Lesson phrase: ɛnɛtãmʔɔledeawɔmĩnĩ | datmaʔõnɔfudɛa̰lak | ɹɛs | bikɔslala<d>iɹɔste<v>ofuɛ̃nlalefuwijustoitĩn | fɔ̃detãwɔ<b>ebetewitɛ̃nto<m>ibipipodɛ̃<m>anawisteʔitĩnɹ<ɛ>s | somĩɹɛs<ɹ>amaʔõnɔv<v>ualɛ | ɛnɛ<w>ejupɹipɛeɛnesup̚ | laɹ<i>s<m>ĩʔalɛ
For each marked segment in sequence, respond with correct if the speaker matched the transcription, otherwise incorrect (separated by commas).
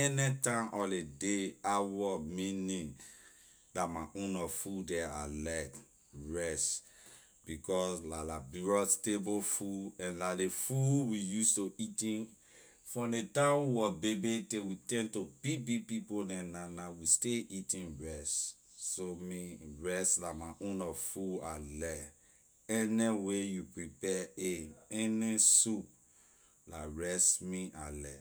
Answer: incorrect, incorrect, correct, incorrect, incorrect, correct, incorrect, incorrect, correct, incorrect, correct